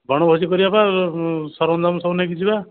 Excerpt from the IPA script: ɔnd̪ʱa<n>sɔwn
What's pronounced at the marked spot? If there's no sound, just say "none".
m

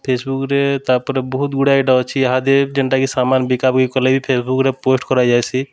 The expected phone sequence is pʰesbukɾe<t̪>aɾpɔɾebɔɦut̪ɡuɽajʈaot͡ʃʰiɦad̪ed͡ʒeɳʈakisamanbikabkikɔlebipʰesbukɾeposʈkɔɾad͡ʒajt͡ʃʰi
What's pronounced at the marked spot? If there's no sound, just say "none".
t̪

